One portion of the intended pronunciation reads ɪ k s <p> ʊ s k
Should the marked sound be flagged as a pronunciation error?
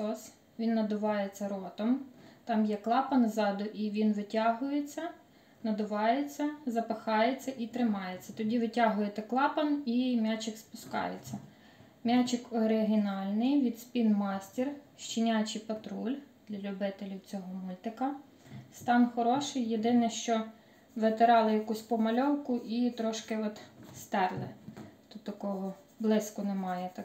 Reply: no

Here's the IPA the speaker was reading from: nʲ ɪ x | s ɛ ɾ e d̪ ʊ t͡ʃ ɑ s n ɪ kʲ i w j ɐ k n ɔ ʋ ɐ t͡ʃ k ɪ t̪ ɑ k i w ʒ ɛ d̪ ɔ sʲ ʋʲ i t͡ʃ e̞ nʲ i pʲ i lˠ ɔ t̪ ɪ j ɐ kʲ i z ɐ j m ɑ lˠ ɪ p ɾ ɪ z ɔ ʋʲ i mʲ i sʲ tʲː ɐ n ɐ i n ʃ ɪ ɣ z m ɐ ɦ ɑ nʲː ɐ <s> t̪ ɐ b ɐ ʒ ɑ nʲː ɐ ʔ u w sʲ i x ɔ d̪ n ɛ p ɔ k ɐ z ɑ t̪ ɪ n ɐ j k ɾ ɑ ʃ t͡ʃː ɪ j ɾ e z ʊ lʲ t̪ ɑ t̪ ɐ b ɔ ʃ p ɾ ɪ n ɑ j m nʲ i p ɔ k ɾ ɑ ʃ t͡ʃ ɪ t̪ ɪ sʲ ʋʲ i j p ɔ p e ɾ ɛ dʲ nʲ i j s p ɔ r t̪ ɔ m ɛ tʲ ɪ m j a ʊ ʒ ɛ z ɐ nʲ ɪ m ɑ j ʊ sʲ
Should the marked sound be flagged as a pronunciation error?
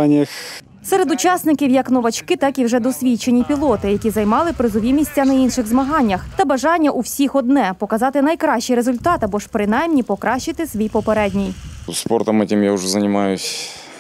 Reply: yes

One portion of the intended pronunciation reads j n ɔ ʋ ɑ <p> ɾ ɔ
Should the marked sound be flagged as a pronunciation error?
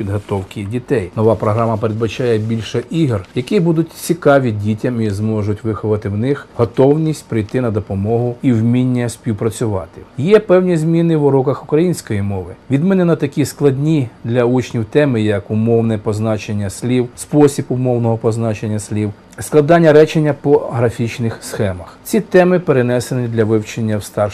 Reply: no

